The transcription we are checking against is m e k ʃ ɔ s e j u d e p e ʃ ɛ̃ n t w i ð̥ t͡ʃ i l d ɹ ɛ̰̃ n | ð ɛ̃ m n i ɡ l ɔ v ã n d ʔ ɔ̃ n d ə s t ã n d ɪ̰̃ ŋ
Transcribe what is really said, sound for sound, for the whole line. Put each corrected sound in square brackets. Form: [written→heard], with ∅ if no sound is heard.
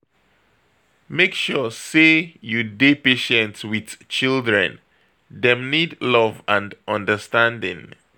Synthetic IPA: m e k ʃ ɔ s e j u d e p e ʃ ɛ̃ n t w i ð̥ t͡ʃ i l d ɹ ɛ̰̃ n | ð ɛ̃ m n i [ɡ→d] l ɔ v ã n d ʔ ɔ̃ n d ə s t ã n d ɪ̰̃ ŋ